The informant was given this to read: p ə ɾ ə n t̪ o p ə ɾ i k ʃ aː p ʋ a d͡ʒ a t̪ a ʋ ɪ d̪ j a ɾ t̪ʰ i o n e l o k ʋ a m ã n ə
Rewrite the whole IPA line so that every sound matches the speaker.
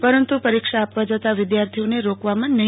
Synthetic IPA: p ə ɾ ə n t̪ u p ə ɾ i k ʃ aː p ʋ a d͡ʒ ə t̪ a ʋ ɪ d̪ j a ɾ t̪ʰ i o n e ɾ o k ʋ a m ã n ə